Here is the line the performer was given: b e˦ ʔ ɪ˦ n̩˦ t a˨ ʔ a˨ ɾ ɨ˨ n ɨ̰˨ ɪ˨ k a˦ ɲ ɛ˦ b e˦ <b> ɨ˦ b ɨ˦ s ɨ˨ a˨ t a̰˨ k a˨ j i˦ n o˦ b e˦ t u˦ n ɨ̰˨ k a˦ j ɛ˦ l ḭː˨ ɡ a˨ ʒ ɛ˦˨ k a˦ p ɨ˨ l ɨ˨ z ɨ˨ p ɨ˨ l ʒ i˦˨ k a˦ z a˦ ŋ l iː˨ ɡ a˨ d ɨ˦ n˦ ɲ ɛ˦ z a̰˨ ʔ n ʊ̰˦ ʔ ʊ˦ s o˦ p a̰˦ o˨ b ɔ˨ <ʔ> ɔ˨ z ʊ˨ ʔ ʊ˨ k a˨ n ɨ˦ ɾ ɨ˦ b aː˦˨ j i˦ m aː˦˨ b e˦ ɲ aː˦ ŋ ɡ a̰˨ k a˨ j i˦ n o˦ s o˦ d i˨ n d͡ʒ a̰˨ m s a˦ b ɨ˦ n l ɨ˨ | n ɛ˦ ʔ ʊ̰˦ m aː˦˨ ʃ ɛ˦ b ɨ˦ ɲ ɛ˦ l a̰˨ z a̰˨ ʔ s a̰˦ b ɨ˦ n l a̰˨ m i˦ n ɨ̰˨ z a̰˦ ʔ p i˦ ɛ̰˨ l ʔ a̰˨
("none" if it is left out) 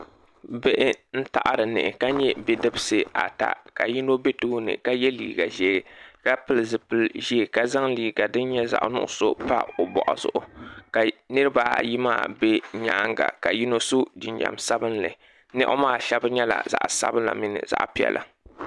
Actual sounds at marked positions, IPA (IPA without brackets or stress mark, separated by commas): d, ʔ